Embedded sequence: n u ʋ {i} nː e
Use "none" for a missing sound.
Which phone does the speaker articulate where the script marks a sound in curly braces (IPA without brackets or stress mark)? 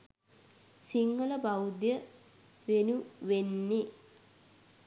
e